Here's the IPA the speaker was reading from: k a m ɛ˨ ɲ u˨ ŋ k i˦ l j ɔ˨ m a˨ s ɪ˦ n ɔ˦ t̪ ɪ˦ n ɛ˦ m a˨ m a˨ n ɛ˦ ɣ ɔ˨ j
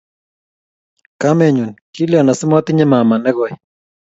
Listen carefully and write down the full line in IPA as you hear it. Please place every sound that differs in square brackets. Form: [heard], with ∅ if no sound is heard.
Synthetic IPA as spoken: k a m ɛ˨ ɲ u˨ [n] k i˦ l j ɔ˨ [n] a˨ s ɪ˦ [m] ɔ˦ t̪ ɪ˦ [ɲ] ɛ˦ m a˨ m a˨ n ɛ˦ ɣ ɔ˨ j